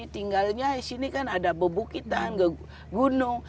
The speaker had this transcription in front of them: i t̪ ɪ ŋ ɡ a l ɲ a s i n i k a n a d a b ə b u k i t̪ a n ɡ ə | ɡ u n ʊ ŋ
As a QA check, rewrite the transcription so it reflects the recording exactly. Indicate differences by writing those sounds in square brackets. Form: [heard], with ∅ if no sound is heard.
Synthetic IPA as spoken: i t̪ [i] ŋ ɡ a l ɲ a s i n i k a n a d a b ə b u k i t̪ a n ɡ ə | ɡ u n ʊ ŋ